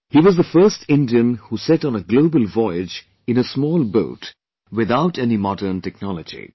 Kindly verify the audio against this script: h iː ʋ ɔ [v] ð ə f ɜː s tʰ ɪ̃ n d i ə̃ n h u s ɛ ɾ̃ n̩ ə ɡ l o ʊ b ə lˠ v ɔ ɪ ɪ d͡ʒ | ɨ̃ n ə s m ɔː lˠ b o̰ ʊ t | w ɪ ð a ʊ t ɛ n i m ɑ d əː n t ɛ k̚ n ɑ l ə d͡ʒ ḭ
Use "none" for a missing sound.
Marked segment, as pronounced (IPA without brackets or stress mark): z